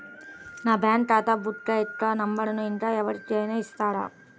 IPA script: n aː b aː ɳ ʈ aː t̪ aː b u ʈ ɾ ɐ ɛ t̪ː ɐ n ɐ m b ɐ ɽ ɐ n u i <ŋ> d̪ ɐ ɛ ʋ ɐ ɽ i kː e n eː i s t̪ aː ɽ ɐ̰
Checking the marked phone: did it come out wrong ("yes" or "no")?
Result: yes